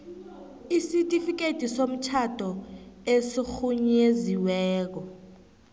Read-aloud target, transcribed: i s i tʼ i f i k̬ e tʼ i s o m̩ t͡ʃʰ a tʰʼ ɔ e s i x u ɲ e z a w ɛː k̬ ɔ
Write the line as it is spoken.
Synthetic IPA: i s i tʼ i f i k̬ e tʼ i s o m̩ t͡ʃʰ a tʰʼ ɔ e s i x u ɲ e z i w ɛː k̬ ɔ